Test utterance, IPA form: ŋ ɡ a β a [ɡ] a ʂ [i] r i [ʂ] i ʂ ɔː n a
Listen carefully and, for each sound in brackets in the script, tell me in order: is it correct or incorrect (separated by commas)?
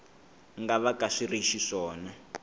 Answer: incorrect, correct, incorrect